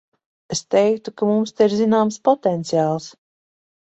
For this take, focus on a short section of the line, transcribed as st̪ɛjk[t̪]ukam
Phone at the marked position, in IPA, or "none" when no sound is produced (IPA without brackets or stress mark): t̪